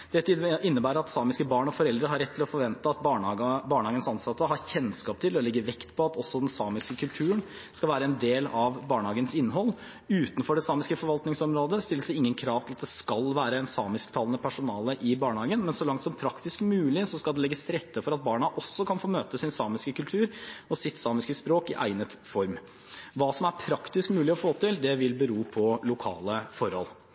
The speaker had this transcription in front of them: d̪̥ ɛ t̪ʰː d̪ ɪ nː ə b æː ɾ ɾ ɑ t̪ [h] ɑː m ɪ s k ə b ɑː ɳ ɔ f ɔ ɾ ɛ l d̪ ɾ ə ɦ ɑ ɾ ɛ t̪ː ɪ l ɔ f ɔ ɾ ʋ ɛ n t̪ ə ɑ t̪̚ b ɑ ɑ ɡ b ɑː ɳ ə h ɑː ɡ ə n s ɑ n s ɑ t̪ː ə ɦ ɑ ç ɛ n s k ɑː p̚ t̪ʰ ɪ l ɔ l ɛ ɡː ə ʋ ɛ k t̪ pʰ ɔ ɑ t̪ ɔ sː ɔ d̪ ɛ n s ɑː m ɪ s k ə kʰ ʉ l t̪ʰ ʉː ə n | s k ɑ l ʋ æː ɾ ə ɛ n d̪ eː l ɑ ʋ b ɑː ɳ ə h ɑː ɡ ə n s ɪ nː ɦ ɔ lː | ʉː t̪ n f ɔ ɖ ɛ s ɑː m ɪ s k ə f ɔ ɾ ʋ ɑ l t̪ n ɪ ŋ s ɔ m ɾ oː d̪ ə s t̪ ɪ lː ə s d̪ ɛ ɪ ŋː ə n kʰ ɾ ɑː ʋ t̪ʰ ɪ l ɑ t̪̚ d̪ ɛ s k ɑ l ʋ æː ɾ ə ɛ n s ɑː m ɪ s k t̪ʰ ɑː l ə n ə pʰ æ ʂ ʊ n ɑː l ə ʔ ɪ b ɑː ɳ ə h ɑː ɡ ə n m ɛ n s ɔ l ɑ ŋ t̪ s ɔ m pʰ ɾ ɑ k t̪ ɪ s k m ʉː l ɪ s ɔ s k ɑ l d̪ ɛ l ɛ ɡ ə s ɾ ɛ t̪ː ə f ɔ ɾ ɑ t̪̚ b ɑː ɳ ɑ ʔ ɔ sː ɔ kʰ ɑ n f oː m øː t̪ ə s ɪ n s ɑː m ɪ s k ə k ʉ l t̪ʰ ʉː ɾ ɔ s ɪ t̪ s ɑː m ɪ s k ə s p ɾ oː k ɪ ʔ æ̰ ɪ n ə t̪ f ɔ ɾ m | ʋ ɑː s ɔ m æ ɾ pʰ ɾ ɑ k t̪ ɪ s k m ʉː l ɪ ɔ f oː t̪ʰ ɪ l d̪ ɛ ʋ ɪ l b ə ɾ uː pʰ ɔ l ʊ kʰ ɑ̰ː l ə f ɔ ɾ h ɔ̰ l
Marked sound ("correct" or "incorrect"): incorrect